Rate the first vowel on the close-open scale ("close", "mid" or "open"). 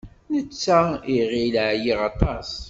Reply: mid